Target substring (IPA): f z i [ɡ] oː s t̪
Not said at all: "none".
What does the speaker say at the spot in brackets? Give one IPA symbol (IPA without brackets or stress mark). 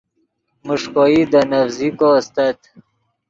k